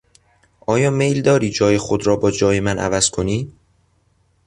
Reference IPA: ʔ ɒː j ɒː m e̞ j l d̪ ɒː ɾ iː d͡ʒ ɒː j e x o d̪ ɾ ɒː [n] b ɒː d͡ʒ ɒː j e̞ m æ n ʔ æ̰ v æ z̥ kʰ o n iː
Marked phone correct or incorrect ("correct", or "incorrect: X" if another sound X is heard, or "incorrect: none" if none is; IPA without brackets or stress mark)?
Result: incorrect: none